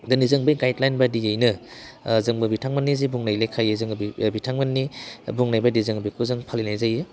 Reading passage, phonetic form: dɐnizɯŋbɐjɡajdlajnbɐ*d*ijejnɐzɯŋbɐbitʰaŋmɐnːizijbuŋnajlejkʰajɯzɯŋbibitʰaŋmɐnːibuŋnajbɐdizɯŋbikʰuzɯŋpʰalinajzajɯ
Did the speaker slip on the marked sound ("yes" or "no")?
no